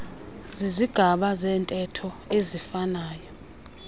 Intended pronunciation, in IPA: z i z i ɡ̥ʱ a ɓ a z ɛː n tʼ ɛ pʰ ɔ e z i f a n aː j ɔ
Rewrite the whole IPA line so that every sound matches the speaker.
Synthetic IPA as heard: z i z i ɡ̥ʱ a ɓ a z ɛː n tʼ ɛ tʰ ɔ e z i f a n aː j ɔ